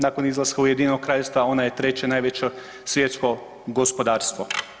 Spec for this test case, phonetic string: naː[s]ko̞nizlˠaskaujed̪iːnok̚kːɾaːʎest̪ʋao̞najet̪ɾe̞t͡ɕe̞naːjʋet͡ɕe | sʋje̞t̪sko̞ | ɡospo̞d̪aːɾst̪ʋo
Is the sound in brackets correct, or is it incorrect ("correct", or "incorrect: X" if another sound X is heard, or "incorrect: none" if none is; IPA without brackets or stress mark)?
incorrect: none